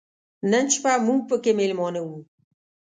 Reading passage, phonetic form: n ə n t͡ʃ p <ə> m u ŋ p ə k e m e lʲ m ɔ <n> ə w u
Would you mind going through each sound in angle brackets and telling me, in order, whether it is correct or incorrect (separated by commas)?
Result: incorrect, correct